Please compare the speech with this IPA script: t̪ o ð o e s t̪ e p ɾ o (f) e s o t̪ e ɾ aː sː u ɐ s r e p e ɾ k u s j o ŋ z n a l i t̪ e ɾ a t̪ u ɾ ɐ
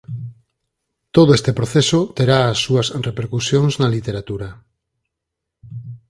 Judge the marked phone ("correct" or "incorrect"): incorrect